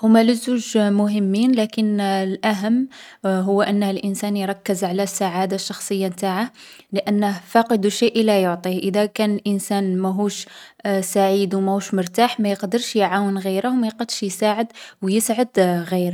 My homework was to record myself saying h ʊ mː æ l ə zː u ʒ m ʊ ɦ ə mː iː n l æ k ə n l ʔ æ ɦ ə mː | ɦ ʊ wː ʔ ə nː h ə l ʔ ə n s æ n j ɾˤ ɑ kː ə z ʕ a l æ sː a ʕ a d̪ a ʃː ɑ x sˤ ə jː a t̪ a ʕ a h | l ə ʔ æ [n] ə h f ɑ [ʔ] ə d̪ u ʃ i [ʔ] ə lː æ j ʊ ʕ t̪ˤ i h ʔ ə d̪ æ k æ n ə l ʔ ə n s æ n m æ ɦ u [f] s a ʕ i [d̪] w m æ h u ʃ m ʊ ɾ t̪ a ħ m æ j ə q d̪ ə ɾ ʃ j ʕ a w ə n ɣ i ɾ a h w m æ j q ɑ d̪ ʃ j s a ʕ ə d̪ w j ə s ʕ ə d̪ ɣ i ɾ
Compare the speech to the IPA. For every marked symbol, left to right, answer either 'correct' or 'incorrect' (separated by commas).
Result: incorrect, incorrect, correct, incorrect, correct